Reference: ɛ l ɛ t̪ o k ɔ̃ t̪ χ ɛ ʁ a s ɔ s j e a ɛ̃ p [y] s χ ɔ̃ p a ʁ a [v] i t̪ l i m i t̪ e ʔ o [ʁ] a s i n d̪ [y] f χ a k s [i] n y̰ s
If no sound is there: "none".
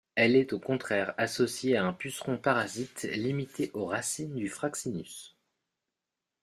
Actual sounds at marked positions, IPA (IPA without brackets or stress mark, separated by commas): y, z, ʁ, y, i